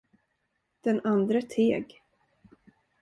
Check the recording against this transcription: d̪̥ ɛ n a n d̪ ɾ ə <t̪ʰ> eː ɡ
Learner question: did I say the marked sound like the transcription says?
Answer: yes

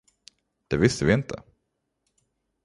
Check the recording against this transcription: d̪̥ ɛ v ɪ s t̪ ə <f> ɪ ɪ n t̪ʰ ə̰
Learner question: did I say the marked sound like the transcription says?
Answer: no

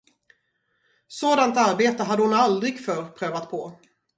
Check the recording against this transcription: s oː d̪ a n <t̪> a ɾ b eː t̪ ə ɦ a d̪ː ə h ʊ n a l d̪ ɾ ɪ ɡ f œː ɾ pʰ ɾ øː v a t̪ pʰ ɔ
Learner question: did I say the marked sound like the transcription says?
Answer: yes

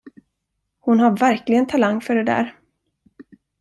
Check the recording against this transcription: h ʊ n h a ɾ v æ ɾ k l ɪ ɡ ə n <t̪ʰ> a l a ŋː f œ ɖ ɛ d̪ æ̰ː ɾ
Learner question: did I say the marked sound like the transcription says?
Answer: yes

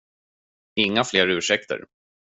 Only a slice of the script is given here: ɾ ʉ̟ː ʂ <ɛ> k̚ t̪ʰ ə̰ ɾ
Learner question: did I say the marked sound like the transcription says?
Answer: yes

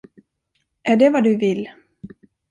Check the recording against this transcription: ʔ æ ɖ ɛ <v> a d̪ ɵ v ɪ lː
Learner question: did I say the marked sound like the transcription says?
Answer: yes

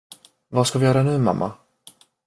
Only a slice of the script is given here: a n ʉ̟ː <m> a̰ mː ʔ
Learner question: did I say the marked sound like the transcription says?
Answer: yes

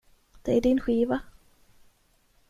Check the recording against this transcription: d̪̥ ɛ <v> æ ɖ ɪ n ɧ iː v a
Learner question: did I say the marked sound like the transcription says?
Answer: no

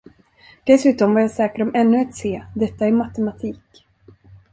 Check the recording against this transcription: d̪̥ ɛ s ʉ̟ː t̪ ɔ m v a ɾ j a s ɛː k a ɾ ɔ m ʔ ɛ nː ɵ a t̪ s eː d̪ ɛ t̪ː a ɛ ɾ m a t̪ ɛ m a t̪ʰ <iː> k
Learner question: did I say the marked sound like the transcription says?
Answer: yes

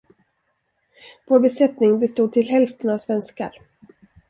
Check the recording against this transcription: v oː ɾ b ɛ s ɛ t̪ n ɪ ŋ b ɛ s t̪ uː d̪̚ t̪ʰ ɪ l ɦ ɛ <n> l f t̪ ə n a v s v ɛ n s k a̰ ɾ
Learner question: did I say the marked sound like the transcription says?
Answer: no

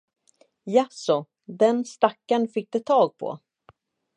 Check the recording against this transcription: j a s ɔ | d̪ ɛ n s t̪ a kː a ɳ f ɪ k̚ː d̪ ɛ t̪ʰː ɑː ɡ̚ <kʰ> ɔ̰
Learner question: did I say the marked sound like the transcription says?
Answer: no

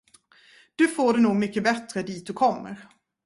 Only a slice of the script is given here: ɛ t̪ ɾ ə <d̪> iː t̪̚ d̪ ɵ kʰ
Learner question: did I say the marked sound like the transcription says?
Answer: yes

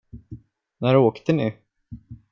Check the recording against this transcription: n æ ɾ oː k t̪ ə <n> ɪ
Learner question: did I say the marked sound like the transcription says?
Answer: yes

